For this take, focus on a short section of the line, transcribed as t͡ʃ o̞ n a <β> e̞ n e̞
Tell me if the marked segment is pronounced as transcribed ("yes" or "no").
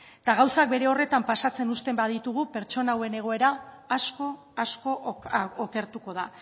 no